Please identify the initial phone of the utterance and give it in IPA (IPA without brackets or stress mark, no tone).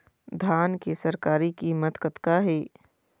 d̪ʱ